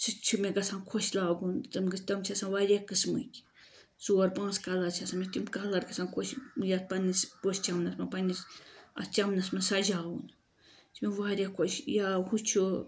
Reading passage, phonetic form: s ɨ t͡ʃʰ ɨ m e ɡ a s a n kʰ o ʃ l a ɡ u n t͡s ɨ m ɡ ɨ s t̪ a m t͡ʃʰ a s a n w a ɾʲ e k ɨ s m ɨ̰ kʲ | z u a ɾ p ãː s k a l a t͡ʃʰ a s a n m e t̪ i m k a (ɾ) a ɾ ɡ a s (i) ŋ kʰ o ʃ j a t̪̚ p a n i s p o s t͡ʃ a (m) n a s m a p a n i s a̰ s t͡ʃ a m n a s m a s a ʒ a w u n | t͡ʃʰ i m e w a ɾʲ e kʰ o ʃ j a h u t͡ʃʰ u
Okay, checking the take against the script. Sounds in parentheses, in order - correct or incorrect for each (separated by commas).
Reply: incorrect, incorrect, correct